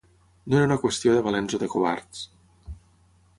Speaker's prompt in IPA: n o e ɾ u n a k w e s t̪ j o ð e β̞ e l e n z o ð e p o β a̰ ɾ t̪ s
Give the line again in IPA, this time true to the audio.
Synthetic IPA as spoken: n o e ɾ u n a k w e s t̪ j o ð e β̞ a l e n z o ð e k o β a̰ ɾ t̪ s